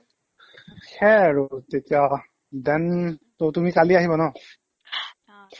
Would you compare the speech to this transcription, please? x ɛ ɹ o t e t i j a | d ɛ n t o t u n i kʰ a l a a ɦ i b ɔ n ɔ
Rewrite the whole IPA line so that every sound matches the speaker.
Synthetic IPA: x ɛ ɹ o t e t i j a | d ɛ n t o t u m i k a l i a ɦ i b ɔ n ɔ